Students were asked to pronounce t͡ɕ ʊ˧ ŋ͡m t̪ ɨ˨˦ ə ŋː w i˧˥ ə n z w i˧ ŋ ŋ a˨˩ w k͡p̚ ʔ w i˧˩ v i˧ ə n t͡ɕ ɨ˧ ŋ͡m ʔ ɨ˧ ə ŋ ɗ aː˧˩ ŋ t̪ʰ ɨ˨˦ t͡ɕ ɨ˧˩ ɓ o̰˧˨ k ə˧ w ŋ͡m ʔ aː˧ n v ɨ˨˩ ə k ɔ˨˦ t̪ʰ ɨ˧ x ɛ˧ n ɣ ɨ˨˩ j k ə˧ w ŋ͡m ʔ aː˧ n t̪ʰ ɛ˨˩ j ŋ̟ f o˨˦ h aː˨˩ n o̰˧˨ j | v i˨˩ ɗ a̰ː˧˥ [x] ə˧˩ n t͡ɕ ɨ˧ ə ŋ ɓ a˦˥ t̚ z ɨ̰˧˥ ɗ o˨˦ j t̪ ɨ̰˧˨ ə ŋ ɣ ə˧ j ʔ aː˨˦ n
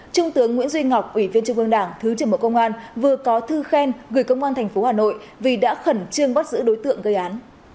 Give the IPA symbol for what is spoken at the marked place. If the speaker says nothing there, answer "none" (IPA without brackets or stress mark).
x